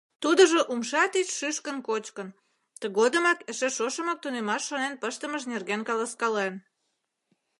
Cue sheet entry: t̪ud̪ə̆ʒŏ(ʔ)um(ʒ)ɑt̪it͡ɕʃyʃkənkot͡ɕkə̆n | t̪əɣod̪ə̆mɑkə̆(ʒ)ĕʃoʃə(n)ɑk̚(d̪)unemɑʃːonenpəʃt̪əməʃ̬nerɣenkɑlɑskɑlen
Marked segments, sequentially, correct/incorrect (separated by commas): correct, incorrect, incorrect, incorrect, incorrect